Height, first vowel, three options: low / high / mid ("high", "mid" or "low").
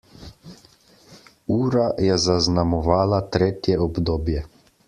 high